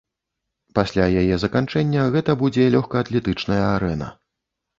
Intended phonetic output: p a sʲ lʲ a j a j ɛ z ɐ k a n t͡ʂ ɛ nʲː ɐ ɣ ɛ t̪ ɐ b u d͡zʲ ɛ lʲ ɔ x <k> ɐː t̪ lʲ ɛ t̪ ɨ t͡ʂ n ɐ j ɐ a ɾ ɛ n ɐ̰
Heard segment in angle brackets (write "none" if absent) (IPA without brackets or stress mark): k